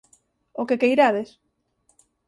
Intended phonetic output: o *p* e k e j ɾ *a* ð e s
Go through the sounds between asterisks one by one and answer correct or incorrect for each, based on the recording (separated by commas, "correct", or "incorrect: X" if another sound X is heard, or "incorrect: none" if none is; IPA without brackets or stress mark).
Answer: incorrect: k, correct